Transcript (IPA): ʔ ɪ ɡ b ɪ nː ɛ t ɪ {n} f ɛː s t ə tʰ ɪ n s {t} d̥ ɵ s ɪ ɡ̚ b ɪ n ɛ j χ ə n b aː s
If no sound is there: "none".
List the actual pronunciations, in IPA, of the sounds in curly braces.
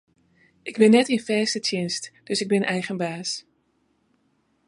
n, t

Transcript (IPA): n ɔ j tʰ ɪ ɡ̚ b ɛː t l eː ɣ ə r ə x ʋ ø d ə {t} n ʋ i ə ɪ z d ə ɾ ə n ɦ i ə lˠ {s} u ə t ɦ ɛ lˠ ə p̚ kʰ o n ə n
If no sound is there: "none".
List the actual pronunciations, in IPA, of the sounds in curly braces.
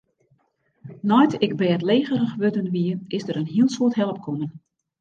none, s

